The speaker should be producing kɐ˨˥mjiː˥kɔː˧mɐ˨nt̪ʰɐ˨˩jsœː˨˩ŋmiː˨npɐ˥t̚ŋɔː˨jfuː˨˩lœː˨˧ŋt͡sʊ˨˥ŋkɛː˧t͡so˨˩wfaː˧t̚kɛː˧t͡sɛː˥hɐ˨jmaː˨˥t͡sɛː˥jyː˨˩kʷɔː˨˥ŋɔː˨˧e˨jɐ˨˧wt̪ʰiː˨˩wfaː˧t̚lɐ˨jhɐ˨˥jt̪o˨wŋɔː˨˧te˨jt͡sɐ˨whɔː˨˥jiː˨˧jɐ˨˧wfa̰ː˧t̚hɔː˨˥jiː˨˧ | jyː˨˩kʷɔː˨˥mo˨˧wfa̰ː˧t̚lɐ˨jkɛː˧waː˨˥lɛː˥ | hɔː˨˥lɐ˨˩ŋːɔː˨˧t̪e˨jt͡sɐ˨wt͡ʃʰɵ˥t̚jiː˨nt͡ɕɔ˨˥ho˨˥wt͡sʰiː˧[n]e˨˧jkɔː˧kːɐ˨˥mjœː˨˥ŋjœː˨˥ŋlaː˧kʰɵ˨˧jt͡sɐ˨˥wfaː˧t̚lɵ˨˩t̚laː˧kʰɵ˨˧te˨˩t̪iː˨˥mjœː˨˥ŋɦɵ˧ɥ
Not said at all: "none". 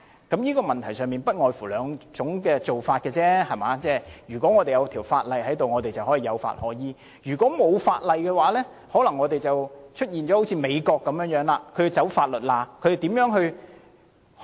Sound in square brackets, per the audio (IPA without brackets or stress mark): m